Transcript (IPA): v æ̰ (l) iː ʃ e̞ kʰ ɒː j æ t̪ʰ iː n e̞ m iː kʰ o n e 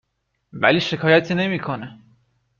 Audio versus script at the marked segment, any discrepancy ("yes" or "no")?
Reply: no